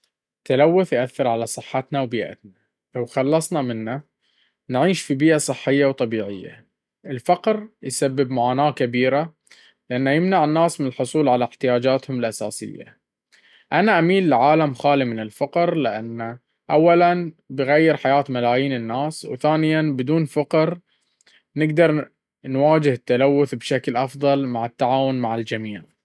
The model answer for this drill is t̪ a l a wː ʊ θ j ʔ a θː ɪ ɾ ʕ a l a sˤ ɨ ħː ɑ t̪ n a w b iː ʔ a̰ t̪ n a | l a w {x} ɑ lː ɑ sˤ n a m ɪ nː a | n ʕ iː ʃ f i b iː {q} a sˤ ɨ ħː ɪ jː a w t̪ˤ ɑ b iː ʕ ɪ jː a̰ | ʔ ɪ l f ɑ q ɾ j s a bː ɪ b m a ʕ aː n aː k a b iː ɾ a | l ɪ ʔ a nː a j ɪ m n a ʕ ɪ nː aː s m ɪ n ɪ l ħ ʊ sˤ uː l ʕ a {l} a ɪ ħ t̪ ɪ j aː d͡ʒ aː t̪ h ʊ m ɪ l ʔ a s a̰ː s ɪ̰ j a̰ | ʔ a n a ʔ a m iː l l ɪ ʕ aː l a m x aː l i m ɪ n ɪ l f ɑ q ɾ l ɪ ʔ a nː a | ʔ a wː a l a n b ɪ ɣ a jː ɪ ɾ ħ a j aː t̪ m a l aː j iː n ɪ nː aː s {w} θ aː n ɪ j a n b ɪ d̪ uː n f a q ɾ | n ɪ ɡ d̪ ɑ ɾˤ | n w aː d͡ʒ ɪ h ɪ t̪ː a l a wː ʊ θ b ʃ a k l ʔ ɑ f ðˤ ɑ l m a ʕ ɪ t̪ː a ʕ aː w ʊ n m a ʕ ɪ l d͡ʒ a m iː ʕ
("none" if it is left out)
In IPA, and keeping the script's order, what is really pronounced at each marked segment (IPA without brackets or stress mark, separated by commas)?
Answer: x, ʔ, l, w